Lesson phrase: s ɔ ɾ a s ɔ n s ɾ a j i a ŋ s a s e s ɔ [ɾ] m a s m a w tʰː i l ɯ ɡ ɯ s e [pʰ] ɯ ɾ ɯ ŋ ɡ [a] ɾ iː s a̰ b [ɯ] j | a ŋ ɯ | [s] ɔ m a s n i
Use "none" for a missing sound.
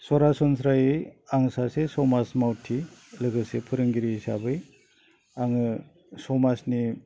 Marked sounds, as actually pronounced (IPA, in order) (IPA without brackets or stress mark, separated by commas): none, pʰ, i, ɯ, s